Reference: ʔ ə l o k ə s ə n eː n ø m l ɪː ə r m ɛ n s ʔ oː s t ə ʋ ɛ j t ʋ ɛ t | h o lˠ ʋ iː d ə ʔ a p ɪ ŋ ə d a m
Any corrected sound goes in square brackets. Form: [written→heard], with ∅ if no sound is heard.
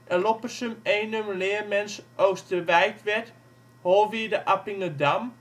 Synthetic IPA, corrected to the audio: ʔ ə l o [k→p] ə s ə [n→m] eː n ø m l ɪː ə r m ɛ n s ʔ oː s t ə ʋ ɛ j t ʋ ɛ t | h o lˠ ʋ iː d ə ʔ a p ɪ ŋ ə d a m